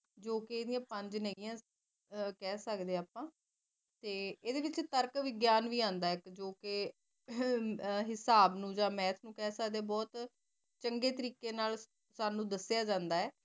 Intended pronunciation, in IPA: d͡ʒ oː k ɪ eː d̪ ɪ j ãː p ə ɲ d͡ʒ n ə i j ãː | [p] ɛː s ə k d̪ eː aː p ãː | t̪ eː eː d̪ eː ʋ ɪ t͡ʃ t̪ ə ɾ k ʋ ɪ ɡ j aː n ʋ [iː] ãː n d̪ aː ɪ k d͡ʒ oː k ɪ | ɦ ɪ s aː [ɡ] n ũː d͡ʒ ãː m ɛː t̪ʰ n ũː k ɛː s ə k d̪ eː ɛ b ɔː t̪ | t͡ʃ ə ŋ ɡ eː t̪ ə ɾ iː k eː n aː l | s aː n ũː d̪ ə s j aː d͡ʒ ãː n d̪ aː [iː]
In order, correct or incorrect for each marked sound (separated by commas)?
incorrect, correct, incorrect, incorrect